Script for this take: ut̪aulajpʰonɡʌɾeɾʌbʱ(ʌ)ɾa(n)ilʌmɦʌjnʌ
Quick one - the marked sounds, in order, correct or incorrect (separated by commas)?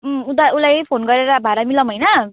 incorrect, incorrect